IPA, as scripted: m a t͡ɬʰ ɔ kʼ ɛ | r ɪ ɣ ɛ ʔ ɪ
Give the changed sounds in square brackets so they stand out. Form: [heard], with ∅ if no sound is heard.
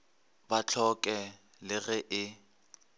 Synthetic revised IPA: [b] a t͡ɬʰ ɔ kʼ ɛ | [l] ɪ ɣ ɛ ʔ ɪ